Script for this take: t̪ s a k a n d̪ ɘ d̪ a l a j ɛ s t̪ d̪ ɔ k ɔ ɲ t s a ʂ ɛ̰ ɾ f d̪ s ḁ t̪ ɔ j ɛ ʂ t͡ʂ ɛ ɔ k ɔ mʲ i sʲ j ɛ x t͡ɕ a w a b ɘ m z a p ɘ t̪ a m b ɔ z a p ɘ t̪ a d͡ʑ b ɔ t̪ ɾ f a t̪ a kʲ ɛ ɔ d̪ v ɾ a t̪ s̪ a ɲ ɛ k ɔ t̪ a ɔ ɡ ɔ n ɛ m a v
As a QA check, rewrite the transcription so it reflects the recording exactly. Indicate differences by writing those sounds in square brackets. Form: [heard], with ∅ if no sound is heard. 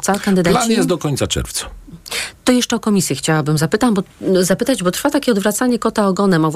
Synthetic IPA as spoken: t̪ s a k a n d̪ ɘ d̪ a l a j ɛ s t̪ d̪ ɔ k ɔ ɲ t s a [t͡ʂ] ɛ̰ ɾ f [t̪] s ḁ t̪ ɔ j ɛ ʂ t͡ʂ ɛ ɔ k ɔ mʲ i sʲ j ɛ x t͡ɕ a w a b ɘ m z a p ɘ t̪ a m b ɔ z a p ɘ t̪ a d͡ʑ b ɔ t̪ ɾ f a t̪ a kʲ ɛ ɔ d̪ v ɾ a t̪ s̪ a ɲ ɛ k ɔ t̪ a ɔ ɡ ɔ n ɛ m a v